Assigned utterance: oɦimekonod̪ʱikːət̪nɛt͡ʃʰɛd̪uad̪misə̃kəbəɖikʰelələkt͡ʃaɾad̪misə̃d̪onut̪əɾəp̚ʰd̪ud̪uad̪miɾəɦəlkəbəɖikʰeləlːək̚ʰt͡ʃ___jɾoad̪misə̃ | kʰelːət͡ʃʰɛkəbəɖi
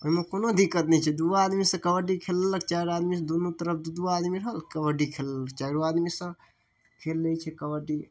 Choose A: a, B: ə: A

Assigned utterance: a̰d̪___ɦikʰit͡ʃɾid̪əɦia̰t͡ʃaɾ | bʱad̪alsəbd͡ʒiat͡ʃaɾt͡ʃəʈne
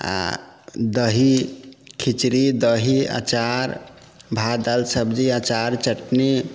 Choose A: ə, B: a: A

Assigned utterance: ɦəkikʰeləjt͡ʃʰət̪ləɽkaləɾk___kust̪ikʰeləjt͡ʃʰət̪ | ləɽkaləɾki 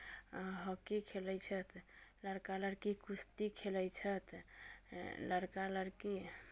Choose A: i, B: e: A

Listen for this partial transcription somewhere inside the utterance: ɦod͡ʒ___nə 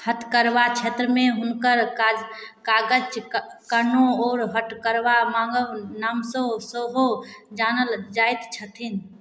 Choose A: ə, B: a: B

